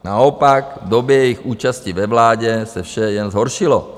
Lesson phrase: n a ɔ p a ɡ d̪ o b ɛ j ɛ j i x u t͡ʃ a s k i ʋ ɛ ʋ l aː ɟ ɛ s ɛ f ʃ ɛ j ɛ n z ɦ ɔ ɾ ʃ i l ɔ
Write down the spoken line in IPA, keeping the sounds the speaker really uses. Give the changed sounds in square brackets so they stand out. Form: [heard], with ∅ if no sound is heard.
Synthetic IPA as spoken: n a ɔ p a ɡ d̪ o b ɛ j ɛ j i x [uː] t͡ʃ a s [c] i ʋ ɛ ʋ l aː ɟ ɛ s ɛ f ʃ ɛ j ɛ n z ɦ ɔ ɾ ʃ i l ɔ

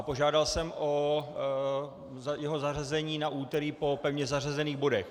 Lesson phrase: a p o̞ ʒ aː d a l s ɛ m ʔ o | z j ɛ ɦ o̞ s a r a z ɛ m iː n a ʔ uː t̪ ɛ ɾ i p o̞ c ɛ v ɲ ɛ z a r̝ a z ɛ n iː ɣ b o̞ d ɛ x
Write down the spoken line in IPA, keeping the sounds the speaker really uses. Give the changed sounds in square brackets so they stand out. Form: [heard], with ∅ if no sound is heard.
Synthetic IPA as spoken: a p o̞ ʒ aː d a l s ɛ m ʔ o | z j ɛ ɦ o̞ [z] a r a z ɛ [ɲ] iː n a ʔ uː t̪ ɛ ɾ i p o̞ [p] ɛ v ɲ ɛ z a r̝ a z ɛ n iː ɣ b o̞ d ɛ x

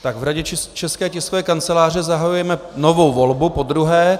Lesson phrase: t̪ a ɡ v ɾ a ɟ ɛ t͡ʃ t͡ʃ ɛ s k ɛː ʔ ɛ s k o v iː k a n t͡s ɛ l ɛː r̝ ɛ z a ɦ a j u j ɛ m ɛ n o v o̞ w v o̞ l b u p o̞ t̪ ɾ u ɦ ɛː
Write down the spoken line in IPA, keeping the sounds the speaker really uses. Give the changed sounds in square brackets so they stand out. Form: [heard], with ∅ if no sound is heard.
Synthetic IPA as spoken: t̪ a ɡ v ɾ a ɟ ɛ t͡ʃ t͡ʃ ɛ s k ɛː [c] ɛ s k o v [ɛː] k a n t͡s ɛ l [aː] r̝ ɛ z a ɦ a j u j ɛ m ɛ n o v o̞ w v o̞ l b u p o̞ [d̪] ɾ u ɦ ɛː

